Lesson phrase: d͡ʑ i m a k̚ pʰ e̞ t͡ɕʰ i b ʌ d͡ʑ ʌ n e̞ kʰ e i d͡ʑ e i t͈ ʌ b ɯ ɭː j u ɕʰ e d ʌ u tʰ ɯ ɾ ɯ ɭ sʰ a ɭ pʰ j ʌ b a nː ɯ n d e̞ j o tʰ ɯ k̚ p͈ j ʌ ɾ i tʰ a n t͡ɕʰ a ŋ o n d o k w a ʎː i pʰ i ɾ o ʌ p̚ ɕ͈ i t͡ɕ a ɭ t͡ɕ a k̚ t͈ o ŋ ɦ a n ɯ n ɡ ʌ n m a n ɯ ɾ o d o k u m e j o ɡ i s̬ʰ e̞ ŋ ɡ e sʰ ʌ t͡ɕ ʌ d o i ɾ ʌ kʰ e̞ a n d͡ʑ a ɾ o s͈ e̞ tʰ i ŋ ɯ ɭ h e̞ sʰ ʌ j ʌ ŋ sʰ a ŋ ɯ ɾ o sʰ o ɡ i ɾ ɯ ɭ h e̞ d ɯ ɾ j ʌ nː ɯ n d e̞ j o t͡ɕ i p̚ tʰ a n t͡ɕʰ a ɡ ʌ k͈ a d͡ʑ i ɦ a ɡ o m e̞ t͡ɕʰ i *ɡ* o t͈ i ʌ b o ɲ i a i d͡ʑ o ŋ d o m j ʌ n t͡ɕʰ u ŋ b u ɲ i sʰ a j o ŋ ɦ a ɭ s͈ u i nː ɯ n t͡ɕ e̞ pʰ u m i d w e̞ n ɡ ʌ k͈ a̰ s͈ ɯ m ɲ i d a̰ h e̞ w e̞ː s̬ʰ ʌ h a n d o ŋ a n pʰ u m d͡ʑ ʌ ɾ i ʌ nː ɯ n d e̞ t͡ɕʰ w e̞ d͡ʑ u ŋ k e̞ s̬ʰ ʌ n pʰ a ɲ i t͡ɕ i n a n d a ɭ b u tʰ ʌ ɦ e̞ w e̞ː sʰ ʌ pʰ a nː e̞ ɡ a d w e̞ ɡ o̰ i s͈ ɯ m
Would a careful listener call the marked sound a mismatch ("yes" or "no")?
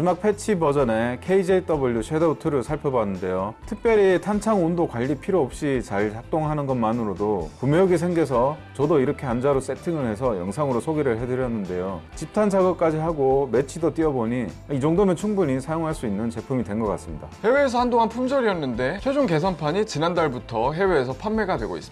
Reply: yes